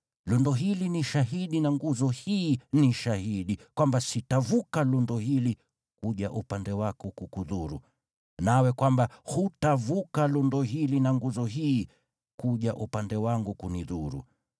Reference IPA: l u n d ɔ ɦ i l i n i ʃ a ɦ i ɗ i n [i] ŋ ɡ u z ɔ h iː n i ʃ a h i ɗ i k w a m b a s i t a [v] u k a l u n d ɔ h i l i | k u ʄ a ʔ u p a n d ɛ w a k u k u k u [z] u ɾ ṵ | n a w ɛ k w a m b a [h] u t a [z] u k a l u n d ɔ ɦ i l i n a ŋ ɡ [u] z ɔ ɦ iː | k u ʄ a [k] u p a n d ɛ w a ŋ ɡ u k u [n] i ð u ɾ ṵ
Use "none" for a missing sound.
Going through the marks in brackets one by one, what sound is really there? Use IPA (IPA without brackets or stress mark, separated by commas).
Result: a, v, ð, h, v, u, ʔ, n